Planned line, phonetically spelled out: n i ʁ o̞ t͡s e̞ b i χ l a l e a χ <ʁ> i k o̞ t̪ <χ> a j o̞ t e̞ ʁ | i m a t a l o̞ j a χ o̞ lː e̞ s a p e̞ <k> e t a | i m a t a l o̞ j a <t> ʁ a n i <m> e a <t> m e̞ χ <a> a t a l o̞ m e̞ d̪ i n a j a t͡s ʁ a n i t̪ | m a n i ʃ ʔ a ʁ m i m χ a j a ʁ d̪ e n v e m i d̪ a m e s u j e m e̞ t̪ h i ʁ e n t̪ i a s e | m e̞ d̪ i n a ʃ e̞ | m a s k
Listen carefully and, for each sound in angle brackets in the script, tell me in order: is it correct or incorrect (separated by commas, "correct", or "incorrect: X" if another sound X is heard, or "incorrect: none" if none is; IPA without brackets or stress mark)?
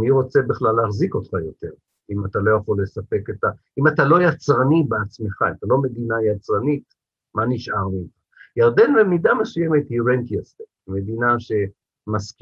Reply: incorrect: z, correct, correct, incorrect: t͡s, incorrect: b, incorrect: t͡s, correct